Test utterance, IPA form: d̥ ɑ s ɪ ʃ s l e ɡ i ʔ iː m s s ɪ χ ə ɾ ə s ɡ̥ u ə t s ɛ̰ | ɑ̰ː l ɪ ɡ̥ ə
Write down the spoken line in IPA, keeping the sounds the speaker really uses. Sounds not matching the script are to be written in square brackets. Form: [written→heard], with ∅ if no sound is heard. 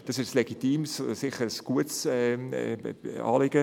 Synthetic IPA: d̥ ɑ s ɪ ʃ s l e ɡ i [ʔ→t] iː m s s ɪ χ ə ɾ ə s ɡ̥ u ə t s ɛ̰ | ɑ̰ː l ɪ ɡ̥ ə